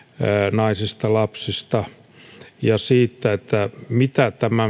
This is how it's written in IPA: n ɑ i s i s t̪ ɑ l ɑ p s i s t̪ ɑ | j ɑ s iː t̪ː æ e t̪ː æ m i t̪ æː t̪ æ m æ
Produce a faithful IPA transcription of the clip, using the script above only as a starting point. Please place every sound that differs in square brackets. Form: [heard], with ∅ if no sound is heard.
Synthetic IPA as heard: n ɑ i s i s t̪ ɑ l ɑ p s i s t̪ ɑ | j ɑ s iː t̪ː æ e t̪ː æ m i t̪ [æ] t̪ æ m æ